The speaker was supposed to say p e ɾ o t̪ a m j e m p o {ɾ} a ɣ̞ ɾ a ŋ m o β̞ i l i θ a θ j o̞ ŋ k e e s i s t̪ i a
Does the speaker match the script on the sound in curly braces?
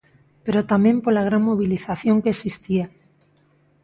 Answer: no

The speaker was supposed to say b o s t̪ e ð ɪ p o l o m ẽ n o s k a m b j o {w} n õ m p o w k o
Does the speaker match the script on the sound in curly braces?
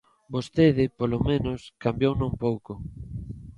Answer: yes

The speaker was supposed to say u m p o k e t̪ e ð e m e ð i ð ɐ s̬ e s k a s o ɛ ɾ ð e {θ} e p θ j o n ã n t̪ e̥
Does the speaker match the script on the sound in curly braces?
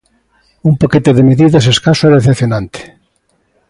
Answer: yes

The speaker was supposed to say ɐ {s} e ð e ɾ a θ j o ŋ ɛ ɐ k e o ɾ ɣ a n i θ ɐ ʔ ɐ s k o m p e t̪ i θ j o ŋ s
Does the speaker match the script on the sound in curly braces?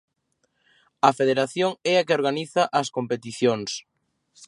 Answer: no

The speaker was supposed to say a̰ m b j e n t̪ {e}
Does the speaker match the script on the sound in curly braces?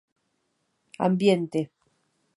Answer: yes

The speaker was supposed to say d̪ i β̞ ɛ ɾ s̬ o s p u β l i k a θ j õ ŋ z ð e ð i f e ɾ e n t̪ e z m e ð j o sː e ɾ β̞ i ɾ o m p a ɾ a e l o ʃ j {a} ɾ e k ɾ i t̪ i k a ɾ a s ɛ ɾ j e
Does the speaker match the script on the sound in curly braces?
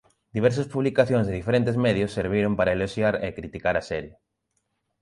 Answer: yes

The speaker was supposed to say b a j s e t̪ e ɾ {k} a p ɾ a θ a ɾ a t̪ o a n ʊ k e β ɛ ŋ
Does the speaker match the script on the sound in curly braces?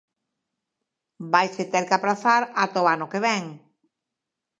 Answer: yes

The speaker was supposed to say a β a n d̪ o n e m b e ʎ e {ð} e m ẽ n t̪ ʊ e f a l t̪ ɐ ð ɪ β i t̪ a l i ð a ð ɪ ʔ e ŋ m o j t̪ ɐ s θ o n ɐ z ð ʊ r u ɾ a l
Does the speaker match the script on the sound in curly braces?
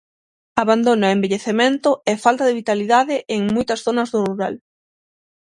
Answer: no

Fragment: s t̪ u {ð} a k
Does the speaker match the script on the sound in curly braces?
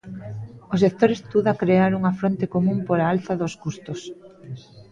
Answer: yes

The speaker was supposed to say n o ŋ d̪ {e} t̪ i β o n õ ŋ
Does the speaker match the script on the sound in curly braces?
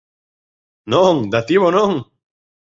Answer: no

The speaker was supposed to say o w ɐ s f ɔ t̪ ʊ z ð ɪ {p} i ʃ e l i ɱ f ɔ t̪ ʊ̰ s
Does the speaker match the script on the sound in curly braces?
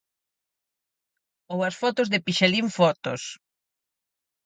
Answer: yes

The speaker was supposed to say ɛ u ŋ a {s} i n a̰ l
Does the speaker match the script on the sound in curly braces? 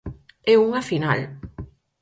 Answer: no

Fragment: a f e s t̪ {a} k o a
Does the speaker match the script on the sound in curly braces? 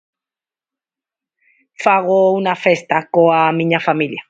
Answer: yes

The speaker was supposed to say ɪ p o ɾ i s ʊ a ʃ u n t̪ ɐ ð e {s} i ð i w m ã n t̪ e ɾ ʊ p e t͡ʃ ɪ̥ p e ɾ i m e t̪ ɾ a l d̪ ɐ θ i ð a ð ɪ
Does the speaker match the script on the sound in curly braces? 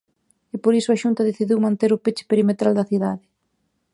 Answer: no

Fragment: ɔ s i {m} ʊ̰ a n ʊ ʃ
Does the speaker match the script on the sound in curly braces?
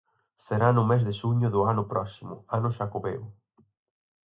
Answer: yes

